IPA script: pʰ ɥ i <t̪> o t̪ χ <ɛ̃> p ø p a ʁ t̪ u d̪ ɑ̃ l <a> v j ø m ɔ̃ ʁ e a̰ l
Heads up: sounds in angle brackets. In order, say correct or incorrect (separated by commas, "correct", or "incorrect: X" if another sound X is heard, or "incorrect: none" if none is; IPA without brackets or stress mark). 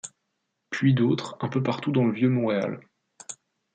incorrect: d̪, correct, incorrect: ə